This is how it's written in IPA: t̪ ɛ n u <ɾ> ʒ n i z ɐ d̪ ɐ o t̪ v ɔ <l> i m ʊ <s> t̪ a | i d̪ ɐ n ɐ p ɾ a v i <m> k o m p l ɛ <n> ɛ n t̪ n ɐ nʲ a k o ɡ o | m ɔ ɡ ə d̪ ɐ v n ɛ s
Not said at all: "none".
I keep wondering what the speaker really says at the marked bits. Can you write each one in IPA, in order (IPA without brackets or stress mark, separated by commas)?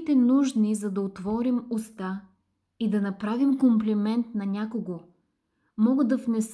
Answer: none, ɾ, s, m, m